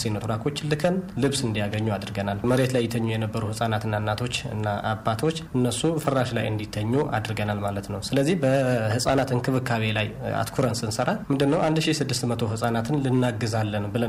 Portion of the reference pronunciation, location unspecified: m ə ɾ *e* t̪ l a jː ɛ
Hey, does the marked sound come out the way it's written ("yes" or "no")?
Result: yes